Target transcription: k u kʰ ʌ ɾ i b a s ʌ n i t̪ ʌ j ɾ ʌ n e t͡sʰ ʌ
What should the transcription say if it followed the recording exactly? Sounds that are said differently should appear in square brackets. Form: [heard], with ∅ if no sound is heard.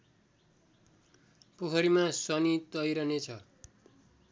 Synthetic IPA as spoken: [p] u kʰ ʌ ɾ i [m] a s ʌ n i t̪ ʌ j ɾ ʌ n e t͡sʰ ʌ